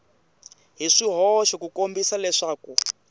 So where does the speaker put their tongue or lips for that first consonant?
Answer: throat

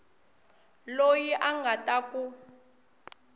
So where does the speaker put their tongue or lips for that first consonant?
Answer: tongue tip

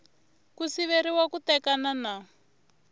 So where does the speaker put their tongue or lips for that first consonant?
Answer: velum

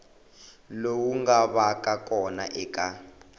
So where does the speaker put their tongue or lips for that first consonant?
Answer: tongue tip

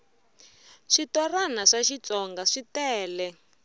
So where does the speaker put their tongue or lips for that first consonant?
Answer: retroflex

